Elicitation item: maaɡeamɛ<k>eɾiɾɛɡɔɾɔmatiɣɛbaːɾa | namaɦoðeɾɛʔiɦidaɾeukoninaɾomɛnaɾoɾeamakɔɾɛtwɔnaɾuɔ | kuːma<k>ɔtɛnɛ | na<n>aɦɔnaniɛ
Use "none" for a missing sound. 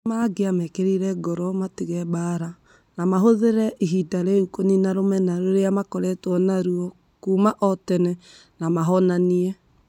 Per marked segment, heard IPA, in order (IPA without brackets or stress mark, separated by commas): k, ʔ, m